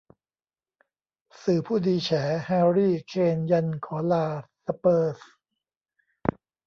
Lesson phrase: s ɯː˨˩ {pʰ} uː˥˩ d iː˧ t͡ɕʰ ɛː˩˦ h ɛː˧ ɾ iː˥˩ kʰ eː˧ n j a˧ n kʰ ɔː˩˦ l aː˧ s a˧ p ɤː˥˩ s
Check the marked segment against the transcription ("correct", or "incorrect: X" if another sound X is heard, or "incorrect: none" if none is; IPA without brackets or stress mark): correct